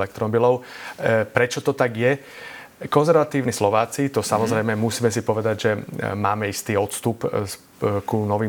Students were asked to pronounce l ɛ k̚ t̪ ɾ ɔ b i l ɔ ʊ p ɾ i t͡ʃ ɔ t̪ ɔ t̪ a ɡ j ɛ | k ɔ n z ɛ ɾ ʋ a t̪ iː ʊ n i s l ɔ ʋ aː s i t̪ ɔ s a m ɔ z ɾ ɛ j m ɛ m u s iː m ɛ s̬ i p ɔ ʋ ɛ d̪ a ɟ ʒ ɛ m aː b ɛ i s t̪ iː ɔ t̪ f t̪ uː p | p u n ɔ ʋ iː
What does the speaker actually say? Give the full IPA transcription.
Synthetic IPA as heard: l ɛ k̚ t̪ ɾ ɔ b i l ɔ ʊ p ɾ ɛ t͡ʃ ɔ t̪ ɔ t̪ a ɡ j ɛ | k ɔ n z ɛ ɾ ʋ a t̪ iː ʊ n i s l ɔ ʋ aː t͡s i t̪ ɔ s a m ɔ z ɾ ɛ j m ɛ m u s iː m ɛ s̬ i p ɔ ʋ ɛ d̪ a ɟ ʒ ɛ m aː m ɛ i s t̪ iː ɔ t̪ s t̪ u p | k u n ɔ ʋ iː